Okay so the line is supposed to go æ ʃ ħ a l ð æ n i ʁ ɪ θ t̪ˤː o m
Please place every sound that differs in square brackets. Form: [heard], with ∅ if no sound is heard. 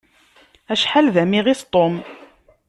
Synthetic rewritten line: æ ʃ ħ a l ð æ [m] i ʁ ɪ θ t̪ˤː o m